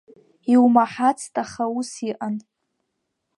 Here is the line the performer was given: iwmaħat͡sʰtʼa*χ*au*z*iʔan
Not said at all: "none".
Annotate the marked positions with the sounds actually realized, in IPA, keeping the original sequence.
χ, s

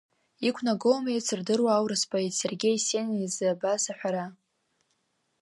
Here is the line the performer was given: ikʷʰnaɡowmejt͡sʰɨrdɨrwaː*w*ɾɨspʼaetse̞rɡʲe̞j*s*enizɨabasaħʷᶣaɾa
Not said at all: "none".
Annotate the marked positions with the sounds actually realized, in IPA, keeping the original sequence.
w, s

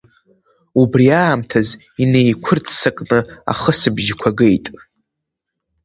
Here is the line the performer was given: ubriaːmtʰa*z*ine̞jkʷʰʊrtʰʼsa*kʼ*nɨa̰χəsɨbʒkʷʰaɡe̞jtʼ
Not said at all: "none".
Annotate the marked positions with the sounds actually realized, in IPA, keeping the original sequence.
z, kʼ

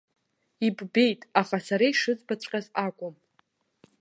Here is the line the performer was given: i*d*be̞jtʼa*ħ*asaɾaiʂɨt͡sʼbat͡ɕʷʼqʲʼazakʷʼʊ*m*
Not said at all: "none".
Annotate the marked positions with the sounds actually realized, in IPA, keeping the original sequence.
b, χ, m

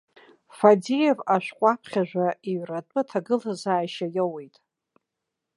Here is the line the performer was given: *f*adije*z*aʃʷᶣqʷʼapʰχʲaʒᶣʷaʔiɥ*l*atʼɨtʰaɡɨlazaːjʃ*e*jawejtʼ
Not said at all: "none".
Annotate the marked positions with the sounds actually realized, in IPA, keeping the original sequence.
f, v, r, a

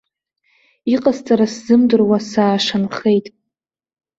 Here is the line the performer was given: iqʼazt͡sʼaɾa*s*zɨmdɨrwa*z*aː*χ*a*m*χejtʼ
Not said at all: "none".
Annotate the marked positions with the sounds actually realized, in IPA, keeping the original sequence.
s, s, ʂ, n

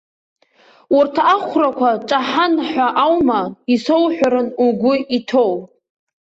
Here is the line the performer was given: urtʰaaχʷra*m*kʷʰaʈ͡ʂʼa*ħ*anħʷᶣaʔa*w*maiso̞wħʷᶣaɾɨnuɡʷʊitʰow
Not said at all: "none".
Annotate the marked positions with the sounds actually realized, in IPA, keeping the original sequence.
none, ħ, w

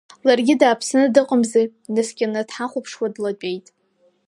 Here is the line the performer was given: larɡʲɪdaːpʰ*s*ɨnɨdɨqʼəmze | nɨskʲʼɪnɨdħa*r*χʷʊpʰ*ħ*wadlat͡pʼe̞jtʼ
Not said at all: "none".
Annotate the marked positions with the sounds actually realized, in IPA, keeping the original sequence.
s, none, ʂ

